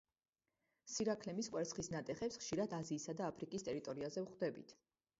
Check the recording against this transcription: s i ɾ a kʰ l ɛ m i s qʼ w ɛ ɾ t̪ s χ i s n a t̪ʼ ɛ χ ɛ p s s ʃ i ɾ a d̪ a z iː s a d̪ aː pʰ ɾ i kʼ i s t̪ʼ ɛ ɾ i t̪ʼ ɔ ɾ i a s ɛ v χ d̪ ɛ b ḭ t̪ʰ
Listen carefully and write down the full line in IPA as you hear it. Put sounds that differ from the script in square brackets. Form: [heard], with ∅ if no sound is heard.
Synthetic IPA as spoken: s i ɾ a kʰ l ɛ m i s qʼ w ɛ ɾ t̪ s χ i s n a t̪ʼ ɛ χ ɛ p s [χ] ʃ i ɾ a d̪ a z iː s a d̪ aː pʰ ɾ i kʼ i s t̪ʼ ɛ ɾ i t̪ʼ ɔ ɾ i a [z] ɛ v χ d̪ ɛ b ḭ t̪ʰ